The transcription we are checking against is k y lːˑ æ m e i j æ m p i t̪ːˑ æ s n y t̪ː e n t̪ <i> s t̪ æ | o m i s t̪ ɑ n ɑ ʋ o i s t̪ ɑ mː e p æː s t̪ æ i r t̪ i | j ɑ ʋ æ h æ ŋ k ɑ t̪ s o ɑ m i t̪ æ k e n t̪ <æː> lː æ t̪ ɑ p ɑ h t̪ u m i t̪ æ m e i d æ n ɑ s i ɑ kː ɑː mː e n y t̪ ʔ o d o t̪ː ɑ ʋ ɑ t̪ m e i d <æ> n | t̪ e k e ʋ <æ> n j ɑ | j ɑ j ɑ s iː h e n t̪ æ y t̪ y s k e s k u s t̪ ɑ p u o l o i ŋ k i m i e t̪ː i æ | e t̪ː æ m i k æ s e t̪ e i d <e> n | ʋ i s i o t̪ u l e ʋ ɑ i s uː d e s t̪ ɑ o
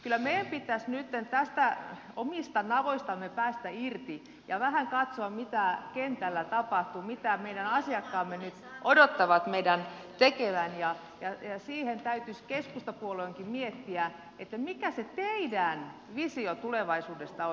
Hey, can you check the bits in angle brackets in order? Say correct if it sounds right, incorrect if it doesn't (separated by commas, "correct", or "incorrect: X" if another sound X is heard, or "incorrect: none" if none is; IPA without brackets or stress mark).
incorrect: æ, incorrect: æ, correct, correct, incorrect: æ